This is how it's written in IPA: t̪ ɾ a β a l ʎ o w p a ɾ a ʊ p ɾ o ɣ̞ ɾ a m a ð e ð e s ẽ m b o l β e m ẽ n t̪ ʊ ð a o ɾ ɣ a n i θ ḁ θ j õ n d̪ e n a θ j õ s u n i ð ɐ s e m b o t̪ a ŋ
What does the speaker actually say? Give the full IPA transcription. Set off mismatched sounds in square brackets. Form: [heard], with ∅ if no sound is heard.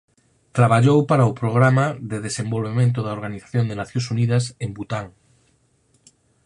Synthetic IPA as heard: t̪ ɾ a β a [∅] ʎ o w p a ɾ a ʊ p ɾ o ɣ̞ ɾ a m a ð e ð e s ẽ m b o l β e m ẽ n t̪ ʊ ð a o ɾ ɣ a n i θ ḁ θ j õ n d̪ e n a θ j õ s u n i ð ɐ s e m b [u] t̪ a ŋ